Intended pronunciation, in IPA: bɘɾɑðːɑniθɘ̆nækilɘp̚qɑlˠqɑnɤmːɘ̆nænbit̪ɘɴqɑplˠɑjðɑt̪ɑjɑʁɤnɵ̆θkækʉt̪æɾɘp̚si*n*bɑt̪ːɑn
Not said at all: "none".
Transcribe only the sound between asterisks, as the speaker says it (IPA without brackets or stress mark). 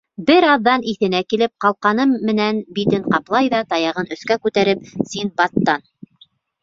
n